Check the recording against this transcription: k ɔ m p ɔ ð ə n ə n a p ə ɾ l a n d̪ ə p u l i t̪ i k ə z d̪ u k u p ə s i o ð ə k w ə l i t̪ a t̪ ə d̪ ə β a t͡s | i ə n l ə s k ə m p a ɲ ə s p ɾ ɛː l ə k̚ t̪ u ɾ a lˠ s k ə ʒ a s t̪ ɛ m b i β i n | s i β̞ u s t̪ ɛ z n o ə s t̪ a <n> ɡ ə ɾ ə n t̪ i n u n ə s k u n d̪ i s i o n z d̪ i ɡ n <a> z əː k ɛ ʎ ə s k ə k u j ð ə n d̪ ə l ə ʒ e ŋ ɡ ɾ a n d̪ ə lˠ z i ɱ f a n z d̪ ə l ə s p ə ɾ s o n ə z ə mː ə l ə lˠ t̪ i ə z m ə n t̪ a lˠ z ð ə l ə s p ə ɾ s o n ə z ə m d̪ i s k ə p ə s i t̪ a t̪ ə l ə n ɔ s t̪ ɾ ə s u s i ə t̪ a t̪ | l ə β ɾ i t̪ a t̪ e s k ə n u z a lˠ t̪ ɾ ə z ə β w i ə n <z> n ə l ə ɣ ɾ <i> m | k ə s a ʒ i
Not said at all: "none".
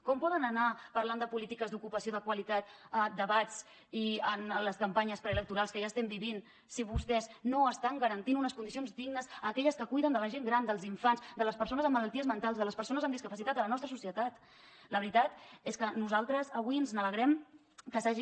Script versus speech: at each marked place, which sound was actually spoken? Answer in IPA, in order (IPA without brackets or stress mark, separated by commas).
ŋ, ə, z, ɛ